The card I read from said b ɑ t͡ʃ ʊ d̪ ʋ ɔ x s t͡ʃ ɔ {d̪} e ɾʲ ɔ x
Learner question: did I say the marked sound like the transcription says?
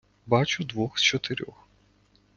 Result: no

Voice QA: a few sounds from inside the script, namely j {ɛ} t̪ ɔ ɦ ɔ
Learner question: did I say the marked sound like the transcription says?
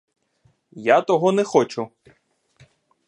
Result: no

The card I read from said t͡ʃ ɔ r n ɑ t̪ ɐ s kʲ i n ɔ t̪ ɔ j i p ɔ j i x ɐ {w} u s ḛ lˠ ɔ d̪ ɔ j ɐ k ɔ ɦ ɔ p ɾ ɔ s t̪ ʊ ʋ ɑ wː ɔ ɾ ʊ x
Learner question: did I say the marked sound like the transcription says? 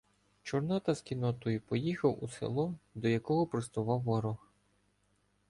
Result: yes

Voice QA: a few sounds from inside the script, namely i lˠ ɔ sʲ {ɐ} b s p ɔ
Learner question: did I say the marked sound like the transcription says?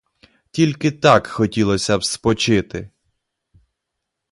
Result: yes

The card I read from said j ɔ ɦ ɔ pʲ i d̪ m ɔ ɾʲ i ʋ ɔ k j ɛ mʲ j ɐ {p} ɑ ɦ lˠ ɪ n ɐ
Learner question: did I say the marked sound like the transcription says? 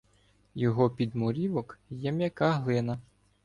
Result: no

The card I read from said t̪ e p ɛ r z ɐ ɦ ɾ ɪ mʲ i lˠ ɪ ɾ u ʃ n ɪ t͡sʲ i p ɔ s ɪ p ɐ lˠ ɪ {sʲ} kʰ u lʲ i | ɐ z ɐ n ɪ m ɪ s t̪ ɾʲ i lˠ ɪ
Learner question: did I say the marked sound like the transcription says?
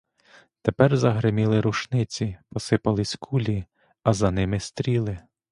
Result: yes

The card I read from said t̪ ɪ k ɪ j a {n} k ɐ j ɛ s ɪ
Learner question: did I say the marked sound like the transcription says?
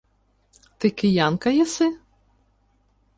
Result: yes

